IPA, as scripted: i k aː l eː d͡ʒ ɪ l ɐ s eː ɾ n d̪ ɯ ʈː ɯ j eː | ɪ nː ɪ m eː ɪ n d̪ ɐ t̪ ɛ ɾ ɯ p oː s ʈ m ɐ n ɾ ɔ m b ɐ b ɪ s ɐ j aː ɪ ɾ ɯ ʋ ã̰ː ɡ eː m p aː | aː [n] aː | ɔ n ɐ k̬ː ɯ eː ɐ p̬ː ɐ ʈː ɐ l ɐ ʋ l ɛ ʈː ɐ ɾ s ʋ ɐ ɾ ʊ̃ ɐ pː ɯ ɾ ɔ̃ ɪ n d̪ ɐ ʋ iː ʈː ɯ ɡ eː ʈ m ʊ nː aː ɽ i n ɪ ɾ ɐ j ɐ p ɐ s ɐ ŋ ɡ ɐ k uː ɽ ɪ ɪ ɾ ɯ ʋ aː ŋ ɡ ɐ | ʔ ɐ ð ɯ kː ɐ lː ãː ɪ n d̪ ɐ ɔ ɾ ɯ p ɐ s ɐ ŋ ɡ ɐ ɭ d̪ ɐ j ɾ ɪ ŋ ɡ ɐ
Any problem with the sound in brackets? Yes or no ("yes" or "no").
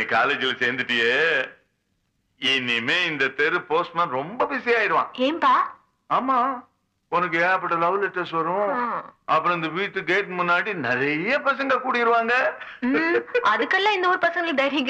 yes